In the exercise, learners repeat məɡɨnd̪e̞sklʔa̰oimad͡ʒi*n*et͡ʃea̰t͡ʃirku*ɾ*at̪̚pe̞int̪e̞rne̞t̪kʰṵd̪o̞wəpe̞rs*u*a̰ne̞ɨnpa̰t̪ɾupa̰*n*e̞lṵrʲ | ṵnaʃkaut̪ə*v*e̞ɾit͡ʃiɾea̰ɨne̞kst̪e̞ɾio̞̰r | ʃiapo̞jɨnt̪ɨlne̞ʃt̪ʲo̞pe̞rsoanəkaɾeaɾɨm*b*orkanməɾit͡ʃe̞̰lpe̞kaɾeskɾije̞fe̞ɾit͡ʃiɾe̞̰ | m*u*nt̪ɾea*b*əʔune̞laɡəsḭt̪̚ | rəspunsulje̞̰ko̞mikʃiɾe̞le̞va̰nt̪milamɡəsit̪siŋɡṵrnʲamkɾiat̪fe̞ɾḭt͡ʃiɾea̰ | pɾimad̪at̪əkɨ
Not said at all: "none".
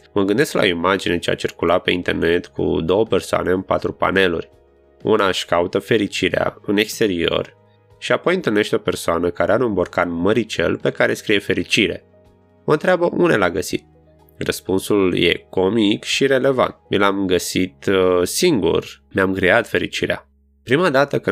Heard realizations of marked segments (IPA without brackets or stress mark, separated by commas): n, l, o, n, f, b, o, b